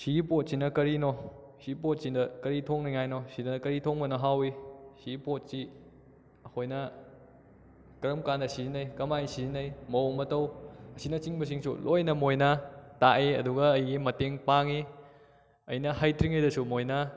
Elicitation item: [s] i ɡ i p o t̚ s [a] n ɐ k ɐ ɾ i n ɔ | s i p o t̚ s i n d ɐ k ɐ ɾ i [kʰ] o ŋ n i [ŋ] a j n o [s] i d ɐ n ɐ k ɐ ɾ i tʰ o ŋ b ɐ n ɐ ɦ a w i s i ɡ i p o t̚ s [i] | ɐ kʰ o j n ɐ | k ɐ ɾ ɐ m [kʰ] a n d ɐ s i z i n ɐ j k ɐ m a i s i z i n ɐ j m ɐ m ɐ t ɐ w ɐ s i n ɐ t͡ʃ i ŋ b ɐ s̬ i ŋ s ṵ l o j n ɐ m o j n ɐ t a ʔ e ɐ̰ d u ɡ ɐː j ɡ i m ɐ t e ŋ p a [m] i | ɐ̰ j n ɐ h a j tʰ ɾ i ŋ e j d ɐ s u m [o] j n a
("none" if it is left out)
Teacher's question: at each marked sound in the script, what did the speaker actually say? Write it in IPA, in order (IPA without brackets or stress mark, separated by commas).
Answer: s, i, tʰ, ŋ, s, i, k, ŋ, o